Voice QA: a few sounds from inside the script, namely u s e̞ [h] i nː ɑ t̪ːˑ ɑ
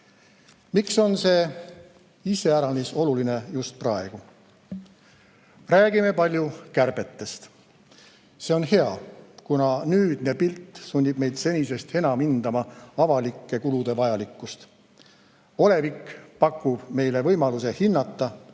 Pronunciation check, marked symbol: correct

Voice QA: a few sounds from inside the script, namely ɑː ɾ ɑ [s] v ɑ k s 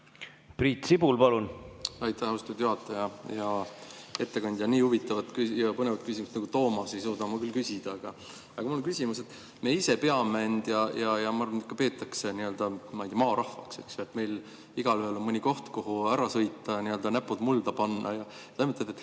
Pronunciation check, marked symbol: incorrect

